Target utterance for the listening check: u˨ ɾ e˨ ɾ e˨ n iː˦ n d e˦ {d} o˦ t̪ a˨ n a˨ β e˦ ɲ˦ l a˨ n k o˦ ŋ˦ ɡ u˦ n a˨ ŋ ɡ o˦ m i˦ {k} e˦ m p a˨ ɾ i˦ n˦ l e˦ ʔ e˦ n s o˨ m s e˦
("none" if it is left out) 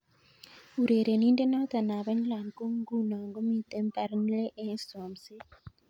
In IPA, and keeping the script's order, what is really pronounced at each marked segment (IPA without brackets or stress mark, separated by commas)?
n, t